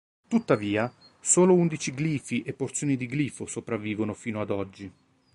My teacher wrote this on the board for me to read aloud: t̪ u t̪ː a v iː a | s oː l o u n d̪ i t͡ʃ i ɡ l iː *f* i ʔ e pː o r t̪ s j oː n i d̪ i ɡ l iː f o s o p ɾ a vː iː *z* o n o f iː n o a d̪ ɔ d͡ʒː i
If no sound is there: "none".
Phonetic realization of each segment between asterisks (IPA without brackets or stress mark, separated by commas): f, v